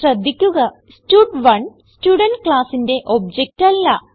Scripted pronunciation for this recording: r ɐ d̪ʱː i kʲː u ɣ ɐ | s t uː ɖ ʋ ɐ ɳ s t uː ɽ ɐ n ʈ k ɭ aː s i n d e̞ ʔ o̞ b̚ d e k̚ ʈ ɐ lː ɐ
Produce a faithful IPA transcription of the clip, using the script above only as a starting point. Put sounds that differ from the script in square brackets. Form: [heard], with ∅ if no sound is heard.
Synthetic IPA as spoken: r ɐ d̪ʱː i kʲː u ɣ ɐ | s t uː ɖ ʋ ɐ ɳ s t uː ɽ ɐ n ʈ k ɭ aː s i n d e̞ ʔ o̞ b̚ [d͡ʑ] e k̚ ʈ ɐ lː ɐ

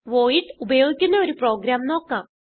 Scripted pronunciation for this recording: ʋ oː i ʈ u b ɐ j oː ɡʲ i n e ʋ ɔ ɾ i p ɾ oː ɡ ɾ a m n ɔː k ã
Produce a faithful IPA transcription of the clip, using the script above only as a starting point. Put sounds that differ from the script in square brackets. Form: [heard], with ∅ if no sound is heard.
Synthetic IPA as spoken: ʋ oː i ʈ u b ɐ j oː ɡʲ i n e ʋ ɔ ɾ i p ɾ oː ɡ ɾ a m n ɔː k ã

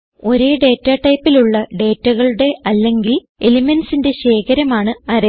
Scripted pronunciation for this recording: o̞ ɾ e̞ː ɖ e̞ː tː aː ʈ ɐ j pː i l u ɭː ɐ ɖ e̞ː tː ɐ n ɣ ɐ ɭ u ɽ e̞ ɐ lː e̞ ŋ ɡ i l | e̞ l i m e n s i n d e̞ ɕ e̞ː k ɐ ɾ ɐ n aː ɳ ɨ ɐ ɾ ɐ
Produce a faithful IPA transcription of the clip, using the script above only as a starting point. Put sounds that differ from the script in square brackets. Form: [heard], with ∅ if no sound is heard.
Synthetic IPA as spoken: o̞ ɾ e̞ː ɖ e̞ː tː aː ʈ ɐ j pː i l u ɭː ɐ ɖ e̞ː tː ɐ [∅] ɣ ɐ ɭ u ɽ e̞ ɐ lː e̞ ŋ ɡ i l | e̞ l i m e n s i n d e̞ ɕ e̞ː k ɐ ɾ ɐ [m] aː ɳ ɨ ɐ ɾ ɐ

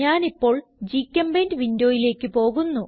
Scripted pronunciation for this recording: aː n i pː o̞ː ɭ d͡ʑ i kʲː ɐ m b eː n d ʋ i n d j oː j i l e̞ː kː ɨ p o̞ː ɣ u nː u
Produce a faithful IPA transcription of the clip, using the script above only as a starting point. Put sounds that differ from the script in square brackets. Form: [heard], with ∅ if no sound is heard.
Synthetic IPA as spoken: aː n i pː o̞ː ɭ d͡ʑ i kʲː ɐ m b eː n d ʋ i n d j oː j i l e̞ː kː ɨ p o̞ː ɣ u nː u

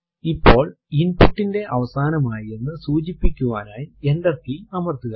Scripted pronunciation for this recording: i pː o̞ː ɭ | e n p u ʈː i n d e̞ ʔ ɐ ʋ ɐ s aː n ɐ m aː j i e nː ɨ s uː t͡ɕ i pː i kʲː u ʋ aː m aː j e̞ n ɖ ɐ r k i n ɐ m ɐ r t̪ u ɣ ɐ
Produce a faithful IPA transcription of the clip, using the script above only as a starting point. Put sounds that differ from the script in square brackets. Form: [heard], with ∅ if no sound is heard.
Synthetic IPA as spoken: i pː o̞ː ɭ | [i] n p u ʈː i n d e̞ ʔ ɐ ʋ ɐ s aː n ɐ m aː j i e nː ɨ s uː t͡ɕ i pː i kʲː u ʋ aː [n] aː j e̞ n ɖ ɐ r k i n ɐ m ɐ r t̪ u ɣ ɐ

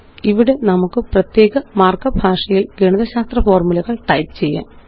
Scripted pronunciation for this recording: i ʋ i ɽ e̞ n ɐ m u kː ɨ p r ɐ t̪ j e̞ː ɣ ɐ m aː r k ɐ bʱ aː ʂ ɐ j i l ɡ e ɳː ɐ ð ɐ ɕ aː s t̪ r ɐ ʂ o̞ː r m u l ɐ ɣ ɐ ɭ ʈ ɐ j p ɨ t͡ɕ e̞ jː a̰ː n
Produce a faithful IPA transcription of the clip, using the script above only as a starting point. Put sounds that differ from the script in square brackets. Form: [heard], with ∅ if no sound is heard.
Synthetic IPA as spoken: i ʋ i ɽ e̞ n ɐ m u kː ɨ p r ɐ t̪ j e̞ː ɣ ɐ m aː r k ɐ bʱ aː ʂ ɐ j i l ɡ e [ɳ] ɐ ð ɐ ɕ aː s t̪ r ɐ [f] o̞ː r m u l ɐ ɣ ɐ ɭ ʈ ɐ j p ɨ t͡ɕ e̞ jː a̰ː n

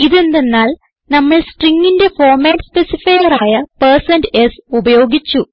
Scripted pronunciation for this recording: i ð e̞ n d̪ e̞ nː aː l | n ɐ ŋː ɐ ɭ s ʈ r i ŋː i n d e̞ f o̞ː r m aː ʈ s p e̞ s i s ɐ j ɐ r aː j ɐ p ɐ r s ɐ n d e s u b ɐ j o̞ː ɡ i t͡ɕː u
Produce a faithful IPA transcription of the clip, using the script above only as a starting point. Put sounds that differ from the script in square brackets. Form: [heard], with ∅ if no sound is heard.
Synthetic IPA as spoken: i ð e̞ n d̪ e̞ nː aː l | n ɐ [mː] ɐ ɭ s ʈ r i ŋː i n d e̞ f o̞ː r m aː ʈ s p e̞ s i [f] ɐ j ɐ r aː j ɐ p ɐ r s ɐ n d e s u b ɐ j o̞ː ɡ i t͡ɕː u

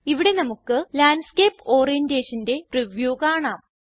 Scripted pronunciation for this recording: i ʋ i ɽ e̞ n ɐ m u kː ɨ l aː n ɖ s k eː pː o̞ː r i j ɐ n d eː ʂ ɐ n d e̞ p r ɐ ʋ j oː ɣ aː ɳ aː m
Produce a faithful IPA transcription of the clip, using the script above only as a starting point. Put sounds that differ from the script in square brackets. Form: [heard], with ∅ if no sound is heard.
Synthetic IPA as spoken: i ʋ i ɽ e̞ n ɐ m u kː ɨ l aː n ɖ s k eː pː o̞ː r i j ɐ n d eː ʂ ɐ n d e̞ p r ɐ ʋ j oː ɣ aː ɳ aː m

